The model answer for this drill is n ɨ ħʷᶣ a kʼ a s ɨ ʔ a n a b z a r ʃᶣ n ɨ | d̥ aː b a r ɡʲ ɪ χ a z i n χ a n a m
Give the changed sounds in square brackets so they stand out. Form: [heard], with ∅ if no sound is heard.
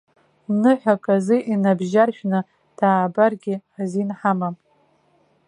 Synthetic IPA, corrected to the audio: n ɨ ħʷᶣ a kʼ a [z] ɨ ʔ [i] n a b [ʒ] a r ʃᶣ n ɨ | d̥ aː b a r ɡʲ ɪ [ħ] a z i n [ħ] a [m] a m

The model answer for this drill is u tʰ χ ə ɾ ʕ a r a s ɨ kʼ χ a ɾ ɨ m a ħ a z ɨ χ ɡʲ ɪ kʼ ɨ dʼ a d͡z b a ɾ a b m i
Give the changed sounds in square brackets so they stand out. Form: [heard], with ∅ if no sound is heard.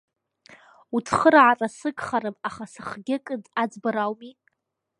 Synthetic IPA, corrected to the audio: u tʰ χ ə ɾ ʕ a r a s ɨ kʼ χ a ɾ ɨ m a [χ] a [s] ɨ χ ɡʲ ɪ kʼ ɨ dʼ a d͡z b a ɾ a [w] m i

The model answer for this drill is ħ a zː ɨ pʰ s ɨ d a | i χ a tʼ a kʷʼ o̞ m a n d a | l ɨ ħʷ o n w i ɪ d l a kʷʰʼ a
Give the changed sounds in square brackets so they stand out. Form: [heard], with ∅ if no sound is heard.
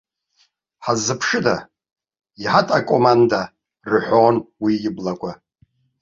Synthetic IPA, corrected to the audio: ħ a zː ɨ pʰ [ʂ] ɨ d a | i [ħ] a tʼ a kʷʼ o̞ m a n d a | [r] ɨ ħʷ o n w i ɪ [b] l a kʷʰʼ a

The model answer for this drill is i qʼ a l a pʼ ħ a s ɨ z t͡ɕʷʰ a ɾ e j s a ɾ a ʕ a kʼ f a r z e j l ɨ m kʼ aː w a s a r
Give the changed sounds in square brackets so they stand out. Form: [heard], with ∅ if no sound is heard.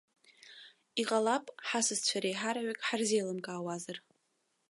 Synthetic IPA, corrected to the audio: i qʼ a l a pʼ ħ a s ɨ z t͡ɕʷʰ a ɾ e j [ħ] a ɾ a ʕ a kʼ [ħ] a r z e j l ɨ m kʼ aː w a [z] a r

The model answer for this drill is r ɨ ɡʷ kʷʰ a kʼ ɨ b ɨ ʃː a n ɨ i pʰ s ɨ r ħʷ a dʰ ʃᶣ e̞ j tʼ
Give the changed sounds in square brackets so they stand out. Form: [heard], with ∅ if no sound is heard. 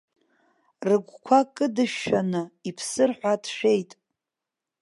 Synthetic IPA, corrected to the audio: r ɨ ɡʷ kʷʰ a kʼ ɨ [d] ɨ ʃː a n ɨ i pʰ s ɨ r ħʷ a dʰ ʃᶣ e̞ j tʼ

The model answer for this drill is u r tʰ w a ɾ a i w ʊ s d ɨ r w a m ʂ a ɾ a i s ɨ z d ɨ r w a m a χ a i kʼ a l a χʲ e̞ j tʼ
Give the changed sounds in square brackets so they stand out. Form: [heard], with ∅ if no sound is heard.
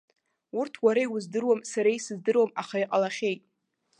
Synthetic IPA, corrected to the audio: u r tʰ w a ɾ a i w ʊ [z] d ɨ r w a m [s] a ɾ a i s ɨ z d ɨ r w a m a χ a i [qʼ] a l a χʲ e̞ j tʼ

